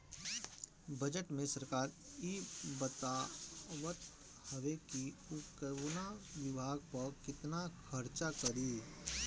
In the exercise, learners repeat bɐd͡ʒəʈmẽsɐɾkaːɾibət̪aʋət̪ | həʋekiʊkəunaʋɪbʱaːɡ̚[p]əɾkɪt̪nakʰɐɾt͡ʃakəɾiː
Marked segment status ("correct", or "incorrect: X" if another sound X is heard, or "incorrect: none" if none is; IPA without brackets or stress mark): correct